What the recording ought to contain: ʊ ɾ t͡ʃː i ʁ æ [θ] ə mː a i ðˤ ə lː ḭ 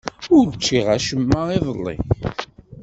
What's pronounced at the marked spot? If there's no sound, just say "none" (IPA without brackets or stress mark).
ʃ